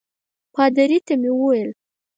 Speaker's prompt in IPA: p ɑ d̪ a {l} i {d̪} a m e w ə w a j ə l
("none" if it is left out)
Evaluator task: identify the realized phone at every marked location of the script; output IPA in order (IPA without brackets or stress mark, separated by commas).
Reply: ɾ, t̪